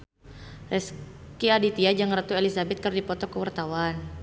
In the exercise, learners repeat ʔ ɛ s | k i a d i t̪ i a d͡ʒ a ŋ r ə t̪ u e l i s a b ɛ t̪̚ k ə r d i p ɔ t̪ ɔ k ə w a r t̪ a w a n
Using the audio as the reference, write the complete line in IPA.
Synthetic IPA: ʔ ɛ s | k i a d i t̪ i a d͡ʒ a ŋ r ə t̪ u e l i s a b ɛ t̪̚ k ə r d i p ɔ t̪ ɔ k ə w a r t̪ a w a n

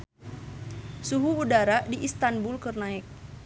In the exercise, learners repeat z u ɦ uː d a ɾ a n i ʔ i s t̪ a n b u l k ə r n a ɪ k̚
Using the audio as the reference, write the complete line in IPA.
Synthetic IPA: s u ɦ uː d a ɾ a d i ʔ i s t̪ a n b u l k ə r n a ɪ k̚

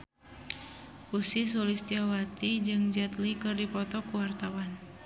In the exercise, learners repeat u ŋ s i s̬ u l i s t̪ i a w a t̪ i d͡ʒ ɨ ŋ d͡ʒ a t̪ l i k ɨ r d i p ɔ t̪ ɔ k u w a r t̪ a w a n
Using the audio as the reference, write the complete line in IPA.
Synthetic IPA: u s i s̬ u l i s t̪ i a w a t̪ i d͡ʒ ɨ ŋ d͡ʒ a t̪ l i k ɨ r d i p ɔ t̪ ɔ k u w a r t̪ a w a n

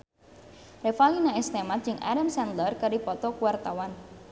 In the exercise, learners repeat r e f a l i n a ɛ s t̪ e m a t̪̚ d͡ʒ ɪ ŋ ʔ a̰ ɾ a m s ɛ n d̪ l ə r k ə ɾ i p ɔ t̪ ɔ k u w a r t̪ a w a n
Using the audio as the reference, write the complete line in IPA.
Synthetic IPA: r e f a l i n a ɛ s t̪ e m a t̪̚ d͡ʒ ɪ ŋ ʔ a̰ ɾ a m s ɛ n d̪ l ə r k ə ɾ i p ɔ t̪ ɔ k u w a r t̪ a w a n

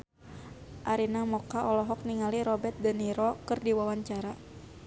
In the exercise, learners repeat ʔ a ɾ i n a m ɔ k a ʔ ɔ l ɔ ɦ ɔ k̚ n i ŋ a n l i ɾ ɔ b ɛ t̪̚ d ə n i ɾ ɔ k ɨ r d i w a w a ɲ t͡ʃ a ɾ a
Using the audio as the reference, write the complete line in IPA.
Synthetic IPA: ʔ a ɾ i n a m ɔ k a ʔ ɔ l ɔ ɦ ɔ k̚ n i ŋ a l i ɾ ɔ b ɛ t̪̚ d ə n i ɾ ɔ k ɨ r d i w a w a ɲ t͡ʃ a ɾ a

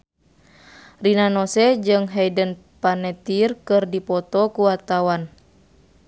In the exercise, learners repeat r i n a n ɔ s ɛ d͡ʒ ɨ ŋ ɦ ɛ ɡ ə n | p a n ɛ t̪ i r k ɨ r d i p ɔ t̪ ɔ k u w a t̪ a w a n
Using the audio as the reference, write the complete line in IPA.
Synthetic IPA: r i n a n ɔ s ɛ d͡ʒ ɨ ŋ ɦ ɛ d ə n | p a n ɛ t̪ i r k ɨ r d i p ɔ t̪ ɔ k u w a t̪ a w a n

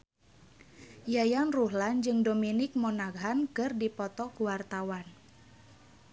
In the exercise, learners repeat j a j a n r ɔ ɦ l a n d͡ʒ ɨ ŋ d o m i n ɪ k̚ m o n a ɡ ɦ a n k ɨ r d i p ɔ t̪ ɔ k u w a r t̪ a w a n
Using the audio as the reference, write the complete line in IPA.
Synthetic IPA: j a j a n r u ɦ l a n d͡ʒ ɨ ŋ d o m i n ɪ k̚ m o n a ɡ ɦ a n k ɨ r d i p ɔ t̪ ɔ k u w a r t̪ a w a n

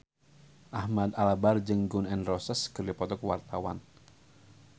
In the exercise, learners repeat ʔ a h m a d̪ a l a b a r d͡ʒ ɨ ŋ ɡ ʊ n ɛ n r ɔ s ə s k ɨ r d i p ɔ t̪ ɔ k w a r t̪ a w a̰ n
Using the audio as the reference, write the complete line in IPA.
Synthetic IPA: ʔ a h m a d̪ a l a b a r d͡ʒ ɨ ŋ ɡ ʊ n ɛ n r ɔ s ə s k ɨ r d i p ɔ t̪ ɔ k w a r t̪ a w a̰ n

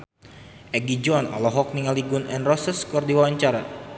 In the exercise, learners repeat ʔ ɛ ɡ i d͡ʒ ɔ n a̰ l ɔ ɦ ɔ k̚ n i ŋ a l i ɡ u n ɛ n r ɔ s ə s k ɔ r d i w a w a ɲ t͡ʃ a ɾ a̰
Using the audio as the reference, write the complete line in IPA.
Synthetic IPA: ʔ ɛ ɡ i d͡ʒ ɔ n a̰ l ɔ ɦ ɔ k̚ n i ŋ a l i ɡ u n ɛ n r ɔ s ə s k ɔ r d i w a w a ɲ t͡ʃ a ɾ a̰

